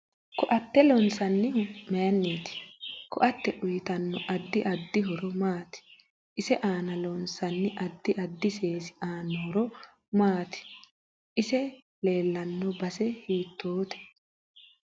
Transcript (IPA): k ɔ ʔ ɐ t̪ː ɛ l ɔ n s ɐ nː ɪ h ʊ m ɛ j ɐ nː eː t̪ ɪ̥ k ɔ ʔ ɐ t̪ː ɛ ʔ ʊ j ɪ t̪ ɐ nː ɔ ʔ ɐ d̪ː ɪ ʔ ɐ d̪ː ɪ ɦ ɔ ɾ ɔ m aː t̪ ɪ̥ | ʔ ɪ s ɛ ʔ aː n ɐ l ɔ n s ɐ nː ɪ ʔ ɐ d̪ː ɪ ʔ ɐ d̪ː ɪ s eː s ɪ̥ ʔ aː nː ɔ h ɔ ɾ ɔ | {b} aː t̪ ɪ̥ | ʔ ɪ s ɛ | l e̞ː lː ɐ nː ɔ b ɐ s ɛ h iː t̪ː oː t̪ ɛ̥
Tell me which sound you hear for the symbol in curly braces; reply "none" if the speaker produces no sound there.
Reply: m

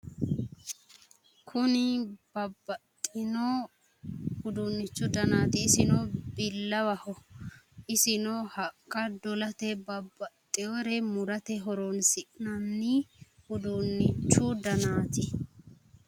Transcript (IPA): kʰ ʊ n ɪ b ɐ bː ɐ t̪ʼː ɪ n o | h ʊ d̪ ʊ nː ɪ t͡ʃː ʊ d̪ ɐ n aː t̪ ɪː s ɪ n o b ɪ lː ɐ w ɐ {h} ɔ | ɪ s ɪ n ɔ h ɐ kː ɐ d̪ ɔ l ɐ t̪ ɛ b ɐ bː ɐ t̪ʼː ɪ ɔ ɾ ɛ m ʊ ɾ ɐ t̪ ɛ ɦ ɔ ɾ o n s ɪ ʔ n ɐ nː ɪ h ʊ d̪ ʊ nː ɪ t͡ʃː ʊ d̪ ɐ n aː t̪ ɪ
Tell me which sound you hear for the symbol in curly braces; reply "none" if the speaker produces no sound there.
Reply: h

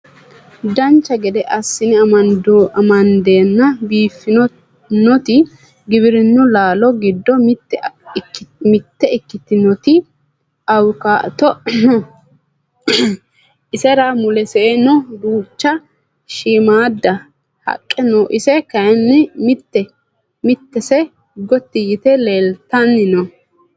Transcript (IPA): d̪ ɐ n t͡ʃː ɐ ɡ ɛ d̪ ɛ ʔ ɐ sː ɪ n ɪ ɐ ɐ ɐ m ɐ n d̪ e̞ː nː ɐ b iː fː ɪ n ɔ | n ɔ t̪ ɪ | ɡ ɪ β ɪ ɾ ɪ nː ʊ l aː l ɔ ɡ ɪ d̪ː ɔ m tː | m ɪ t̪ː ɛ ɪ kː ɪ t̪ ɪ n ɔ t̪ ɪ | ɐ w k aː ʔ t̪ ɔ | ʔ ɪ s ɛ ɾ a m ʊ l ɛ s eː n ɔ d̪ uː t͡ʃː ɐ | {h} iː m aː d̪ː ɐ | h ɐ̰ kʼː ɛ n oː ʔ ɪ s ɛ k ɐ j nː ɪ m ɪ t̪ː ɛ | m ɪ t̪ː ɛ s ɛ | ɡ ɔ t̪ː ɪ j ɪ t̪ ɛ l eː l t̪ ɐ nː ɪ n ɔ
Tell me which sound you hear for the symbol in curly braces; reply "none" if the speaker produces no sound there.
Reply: ʃ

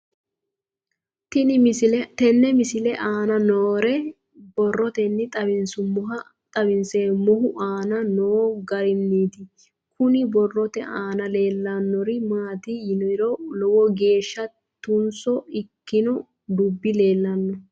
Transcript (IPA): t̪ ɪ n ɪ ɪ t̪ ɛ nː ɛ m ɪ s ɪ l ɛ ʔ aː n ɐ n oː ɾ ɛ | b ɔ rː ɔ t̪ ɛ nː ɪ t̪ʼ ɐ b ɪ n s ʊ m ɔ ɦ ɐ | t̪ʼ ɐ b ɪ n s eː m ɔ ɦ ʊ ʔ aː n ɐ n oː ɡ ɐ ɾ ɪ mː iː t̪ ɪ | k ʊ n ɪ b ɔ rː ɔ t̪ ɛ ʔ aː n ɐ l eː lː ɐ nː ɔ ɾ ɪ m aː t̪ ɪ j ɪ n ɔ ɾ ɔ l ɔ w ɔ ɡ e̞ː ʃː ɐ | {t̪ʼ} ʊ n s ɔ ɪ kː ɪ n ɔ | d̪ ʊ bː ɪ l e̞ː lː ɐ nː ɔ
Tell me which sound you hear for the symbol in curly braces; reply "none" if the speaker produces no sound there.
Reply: t̪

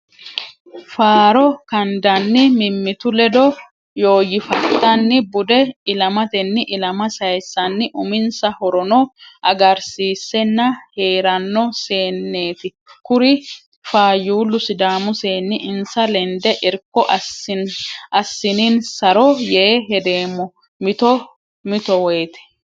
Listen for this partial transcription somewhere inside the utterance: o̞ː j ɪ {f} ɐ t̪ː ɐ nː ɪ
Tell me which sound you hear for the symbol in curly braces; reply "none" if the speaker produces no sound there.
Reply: f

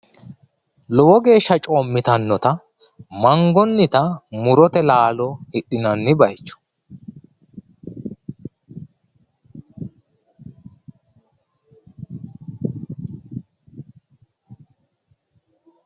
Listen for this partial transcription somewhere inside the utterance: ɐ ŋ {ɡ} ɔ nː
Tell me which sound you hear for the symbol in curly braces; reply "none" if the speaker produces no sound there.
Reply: ɡ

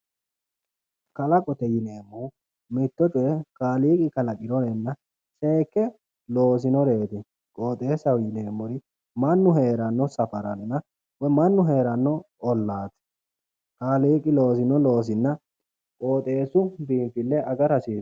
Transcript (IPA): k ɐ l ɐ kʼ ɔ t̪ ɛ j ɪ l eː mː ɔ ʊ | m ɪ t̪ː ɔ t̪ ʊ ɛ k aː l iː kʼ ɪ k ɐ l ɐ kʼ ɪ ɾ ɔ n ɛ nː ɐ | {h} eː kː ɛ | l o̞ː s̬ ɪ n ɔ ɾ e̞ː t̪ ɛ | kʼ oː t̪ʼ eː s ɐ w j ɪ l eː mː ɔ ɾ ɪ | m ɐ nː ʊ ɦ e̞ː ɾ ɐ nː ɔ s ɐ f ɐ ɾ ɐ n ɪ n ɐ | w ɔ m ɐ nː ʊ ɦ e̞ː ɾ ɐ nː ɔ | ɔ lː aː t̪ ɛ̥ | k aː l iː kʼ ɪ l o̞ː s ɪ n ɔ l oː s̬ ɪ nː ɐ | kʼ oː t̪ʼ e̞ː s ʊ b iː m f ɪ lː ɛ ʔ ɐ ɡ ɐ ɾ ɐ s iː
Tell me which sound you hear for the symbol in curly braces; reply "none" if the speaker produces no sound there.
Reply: s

